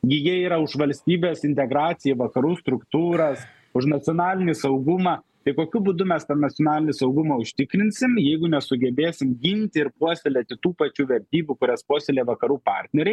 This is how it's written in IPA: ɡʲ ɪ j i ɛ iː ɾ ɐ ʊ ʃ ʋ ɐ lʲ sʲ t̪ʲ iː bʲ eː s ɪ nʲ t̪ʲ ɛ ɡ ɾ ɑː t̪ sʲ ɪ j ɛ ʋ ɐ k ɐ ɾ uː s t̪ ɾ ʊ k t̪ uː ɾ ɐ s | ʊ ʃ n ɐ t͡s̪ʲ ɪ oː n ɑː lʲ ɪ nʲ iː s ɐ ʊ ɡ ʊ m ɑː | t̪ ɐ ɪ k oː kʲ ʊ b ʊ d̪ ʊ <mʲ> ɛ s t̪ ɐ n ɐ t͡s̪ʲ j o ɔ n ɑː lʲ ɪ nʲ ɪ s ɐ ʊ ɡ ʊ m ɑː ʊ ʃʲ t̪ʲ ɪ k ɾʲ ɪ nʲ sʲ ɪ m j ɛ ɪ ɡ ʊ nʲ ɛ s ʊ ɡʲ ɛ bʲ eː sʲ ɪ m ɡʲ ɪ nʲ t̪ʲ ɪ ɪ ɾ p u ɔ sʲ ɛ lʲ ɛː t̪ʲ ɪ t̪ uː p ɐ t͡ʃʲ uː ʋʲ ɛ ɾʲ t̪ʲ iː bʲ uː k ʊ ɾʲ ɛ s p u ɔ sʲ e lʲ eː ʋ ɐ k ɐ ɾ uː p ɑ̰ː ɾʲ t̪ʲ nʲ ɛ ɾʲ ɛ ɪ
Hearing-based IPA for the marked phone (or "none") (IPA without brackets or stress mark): mʲ